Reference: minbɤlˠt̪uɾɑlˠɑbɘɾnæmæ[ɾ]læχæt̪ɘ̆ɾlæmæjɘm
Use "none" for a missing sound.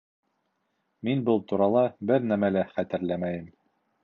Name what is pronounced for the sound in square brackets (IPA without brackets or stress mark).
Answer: none